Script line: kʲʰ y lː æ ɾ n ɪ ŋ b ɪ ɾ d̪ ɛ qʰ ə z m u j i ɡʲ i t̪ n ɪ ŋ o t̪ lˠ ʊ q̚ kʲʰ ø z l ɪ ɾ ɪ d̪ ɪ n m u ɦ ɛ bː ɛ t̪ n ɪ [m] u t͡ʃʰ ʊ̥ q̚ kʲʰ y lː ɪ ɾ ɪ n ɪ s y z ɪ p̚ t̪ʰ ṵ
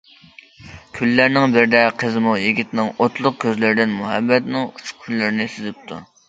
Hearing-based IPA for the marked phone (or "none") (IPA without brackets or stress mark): ŋ